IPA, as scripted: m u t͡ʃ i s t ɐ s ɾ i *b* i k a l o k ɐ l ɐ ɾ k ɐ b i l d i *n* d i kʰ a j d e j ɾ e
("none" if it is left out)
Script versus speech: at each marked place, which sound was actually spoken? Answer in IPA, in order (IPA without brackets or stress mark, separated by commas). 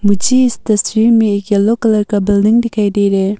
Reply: m, ŋ